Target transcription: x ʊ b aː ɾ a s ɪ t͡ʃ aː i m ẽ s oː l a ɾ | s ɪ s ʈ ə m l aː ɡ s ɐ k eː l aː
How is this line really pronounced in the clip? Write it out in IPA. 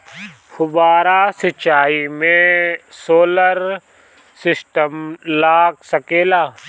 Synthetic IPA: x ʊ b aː ɾ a s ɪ t͡ʃ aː i m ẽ s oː l ə ɾ | s ɪ s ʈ ə m l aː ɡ s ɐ k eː l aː